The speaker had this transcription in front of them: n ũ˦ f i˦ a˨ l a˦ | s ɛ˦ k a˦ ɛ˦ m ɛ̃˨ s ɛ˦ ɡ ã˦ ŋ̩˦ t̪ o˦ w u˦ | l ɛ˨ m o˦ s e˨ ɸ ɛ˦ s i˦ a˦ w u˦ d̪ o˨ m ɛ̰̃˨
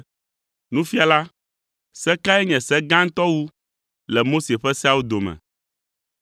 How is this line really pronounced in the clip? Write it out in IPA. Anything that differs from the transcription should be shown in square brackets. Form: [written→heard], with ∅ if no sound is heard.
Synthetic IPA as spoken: n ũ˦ f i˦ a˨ l a˦ | s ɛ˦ k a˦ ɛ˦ [m→ɲ] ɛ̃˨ s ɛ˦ ɡ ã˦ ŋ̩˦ t̪ [o˦→ɔ˦] w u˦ | l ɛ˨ m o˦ s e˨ ɸ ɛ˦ s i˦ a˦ w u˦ d̪ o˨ m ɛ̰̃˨